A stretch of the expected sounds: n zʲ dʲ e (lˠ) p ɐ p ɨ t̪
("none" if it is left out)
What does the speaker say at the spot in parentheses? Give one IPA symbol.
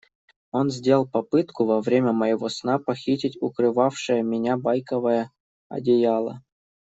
lˠ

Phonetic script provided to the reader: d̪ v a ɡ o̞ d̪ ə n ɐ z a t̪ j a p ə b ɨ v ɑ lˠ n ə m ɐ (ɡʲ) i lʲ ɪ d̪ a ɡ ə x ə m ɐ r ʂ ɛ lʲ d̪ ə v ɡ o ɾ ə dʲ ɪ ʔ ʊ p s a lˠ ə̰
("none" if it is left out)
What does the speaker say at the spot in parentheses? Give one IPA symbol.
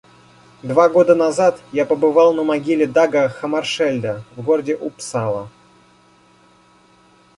ɡʲ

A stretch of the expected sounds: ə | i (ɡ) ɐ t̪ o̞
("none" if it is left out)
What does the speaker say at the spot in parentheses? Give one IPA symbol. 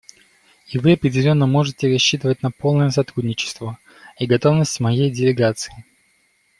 ɡ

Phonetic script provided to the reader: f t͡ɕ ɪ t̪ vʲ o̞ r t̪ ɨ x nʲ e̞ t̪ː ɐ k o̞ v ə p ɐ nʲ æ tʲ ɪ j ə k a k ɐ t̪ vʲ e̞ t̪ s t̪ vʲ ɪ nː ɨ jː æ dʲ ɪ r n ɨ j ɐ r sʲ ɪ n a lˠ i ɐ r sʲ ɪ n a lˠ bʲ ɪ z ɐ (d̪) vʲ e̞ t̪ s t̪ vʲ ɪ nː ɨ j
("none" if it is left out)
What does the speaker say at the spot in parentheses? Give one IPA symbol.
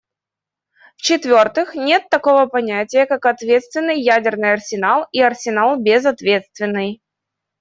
t̪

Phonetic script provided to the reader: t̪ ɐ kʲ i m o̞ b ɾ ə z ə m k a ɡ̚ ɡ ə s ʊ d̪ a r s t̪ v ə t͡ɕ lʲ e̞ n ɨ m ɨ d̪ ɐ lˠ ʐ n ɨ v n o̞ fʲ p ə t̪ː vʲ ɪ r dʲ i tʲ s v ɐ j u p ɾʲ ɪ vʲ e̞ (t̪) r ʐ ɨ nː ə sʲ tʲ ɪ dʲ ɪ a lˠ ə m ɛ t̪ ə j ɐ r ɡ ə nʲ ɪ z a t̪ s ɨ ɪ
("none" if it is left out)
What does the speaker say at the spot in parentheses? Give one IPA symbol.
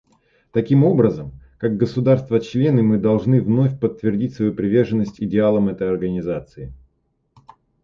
none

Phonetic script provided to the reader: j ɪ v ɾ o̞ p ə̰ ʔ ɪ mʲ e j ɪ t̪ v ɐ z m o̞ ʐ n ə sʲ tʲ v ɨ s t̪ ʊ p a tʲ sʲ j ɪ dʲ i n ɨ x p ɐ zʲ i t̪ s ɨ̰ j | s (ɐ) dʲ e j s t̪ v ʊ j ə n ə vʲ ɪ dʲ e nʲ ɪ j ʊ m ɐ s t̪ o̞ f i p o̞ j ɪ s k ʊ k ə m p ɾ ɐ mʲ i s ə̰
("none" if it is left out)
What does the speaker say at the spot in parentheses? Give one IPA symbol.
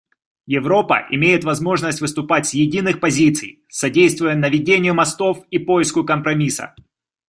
ɐ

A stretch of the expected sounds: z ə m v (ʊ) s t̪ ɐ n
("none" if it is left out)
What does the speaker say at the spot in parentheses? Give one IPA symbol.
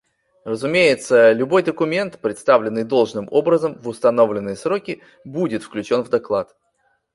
ʊ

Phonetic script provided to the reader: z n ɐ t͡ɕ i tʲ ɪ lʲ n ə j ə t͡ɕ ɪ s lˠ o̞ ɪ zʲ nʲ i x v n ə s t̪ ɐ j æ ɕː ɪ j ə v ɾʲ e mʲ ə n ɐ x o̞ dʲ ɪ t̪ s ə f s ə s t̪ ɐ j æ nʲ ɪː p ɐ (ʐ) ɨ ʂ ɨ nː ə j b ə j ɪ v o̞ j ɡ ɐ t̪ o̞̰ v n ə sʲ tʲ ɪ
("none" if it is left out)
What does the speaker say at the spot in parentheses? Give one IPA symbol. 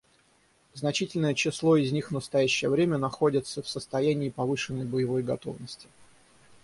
v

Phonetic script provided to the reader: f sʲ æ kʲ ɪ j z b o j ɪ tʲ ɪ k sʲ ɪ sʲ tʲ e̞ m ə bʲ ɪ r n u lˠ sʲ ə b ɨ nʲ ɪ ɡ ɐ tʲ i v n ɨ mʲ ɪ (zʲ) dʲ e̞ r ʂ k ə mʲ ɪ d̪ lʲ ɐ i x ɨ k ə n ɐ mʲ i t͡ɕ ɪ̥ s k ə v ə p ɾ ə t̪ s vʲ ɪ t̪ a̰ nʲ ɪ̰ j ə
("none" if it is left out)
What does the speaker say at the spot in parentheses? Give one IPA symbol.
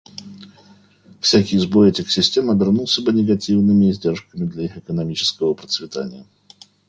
zʲ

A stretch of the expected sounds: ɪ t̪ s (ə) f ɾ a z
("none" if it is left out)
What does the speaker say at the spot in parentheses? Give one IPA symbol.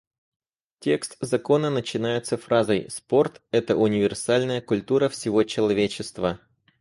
ə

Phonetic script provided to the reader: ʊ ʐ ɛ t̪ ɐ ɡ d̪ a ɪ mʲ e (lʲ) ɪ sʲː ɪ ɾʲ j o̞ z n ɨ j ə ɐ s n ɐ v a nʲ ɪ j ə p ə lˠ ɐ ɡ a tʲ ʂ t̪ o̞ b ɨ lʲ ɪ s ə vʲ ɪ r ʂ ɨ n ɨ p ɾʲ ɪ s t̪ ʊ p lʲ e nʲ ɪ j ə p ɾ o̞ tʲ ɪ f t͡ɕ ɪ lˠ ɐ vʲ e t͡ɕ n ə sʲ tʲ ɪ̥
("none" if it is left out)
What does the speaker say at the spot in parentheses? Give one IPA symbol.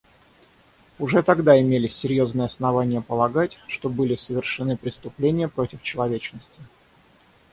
lʲ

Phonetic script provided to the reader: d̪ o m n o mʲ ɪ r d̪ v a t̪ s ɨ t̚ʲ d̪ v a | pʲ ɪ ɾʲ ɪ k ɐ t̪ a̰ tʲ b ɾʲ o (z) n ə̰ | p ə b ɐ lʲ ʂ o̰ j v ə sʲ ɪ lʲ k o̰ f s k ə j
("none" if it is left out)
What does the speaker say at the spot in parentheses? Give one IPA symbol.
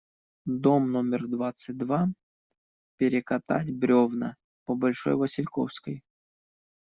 v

